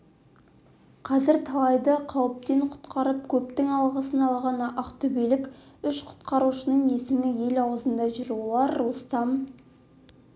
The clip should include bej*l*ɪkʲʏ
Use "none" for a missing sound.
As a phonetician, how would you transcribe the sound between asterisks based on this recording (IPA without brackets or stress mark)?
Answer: l